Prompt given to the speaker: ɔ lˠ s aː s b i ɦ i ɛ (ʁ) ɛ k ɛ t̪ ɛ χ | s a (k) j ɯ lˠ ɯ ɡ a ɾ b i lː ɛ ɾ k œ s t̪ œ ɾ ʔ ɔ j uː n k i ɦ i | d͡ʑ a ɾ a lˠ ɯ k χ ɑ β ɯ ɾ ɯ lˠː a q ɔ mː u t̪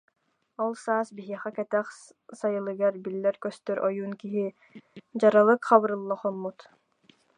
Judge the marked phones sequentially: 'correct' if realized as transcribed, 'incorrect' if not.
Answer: incorrect: χ, incorrect: none

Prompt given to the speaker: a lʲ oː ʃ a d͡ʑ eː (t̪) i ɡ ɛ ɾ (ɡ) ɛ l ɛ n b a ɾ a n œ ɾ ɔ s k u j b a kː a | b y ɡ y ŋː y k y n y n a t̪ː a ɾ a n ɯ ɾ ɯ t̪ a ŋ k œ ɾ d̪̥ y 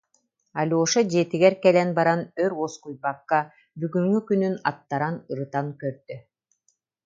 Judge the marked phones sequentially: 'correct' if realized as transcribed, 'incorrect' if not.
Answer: correct, incorrect: k

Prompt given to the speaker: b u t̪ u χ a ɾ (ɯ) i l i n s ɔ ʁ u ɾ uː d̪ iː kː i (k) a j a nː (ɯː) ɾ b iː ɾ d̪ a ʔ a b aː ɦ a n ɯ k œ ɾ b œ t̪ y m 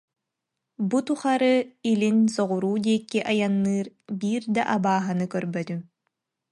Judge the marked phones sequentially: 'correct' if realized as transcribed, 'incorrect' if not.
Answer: correct, incorrect: ʔ, correct

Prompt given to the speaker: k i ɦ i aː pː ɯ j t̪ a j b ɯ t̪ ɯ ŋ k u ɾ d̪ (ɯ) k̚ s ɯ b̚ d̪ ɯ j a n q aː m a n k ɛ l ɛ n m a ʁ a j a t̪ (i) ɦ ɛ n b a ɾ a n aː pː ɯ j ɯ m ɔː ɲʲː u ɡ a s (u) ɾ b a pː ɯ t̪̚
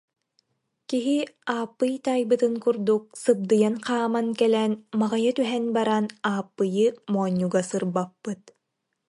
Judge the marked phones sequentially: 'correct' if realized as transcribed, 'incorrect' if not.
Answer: incorrect: u, incorrect: y, incorrect: ɯ

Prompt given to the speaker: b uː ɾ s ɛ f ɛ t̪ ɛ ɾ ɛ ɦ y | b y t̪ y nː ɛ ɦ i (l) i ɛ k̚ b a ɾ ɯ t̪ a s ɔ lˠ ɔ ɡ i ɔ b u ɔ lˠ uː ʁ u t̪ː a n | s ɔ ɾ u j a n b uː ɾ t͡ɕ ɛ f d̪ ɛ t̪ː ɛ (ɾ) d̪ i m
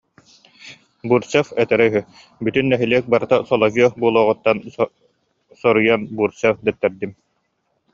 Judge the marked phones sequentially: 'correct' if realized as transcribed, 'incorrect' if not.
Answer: correct, correct

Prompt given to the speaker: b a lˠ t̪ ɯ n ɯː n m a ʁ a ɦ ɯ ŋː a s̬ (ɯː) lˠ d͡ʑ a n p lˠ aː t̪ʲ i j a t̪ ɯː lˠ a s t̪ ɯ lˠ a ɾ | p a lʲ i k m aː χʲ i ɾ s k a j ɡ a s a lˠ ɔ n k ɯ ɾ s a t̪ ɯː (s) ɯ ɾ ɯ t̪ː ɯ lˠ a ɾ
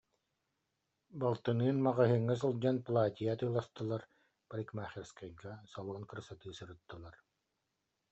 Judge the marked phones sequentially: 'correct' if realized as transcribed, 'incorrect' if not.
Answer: incorrect: ɯ, correct

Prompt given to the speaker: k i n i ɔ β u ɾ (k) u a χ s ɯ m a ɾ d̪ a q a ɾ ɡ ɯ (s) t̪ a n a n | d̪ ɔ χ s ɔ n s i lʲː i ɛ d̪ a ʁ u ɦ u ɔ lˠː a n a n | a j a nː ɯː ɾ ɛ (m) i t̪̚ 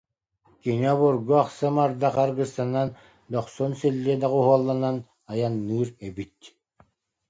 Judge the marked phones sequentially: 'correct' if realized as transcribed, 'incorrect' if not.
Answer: incorrect: ɡ, correct, incorrect: b

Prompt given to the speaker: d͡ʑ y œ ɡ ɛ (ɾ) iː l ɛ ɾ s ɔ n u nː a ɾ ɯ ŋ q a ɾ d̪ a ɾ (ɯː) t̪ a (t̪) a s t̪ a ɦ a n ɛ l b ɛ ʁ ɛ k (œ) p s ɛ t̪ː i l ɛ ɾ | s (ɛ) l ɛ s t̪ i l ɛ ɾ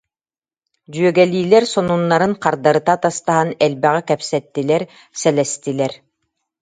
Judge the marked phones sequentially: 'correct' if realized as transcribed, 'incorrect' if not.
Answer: incorrect: l, incorrect: ɯ, correct, incorrect: ɛ, correct

